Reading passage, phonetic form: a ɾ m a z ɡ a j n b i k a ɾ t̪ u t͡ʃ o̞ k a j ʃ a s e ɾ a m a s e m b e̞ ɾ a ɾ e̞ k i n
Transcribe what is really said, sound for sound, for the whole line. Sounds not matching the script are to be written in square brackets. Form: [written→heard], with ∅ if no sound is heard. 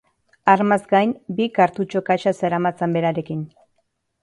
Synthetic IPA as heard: a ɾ m a z ɡ a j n b i k a ɾ t̪ u t͡ʃ o̞ k a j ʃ a s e ɾ a m a [s→t͡s] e m b e̞ ɾ a ɾ e̞ k i n